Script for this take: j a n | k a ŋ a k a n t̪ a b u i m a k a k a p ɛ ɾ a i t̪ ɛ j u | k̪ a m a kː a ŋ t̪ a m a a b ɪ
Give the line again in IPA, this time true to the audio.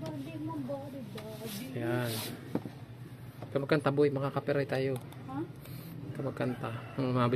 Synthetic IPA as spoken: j a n | k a m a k a n t̪ a b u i m a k a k a p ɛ ɾ a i t̪ a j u | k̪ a m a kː a n t̪ a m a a b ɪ